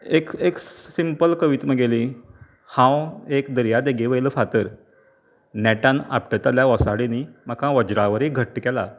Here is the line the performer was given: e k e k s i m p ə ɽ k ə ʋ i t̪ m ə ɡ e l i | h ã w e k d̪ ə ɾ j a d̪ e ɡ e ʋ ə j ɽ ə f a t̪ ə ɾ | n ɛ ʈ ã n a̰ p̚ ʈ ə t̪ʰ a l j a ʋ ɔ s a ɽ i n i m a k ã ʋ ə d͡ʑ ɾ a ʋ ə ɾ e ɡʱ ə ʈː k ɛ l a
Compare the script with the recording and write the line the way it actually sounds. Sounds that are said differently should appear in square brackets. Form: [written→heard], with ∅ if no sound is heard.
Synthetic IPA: e k e k s i m p ə [ɽ→l] k ə ʋ i t̪ m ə ɡ e l i | h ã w e k d̪ ə ɾ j a d̪ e ɡ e ʋ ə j [ɽ→l] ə f a t̪ ə ɾ | n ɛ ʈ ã n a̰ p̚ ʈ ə [t̪ʰ→t̪] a l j a ʋ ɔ s a ɽ i n i m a k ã ʋ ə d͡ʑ ɾ a ʋ ə ɾ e ɡʱ ə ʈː k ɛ l a